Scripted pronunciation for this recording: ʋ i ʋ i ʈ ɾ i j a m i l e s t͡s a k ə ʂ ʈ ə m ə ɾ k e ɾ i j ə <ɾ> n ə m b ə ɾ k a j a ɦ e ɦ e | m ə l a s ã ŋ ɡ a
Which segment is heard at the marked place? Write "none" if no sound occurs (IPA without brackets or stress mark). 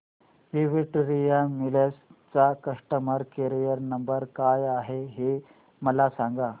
ɾ